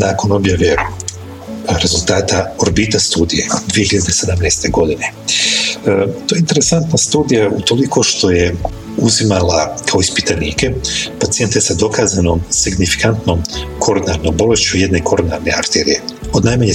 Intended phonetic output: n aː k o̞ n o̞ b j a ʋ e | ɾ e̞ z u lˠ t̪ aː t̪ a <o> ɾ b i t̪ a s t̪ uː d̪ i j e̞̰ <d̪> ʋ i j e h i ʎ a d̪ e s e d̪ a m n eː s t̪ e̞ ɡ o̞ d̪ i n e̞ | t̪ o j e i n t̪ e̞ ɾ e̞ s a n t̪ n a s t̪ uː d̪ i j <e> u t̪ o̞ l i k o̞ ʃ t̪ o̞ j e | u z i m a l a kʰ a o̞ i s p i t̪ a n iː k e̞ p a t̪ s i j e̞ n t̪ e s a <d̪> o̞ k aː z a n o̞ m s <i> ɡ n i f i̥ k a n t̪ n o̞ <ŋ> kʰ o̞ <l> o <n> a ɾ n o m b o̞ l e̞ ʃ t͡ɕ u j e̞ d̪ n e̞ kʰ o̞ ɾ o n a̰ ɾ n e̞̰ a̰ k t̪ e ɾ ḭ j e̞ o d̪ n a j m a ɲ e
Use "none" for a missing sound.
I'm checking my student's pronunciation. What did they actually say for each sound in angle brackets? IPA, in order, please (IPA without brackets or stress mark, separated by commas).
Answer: o, d̪, a, d̪, i, m, ɾ, n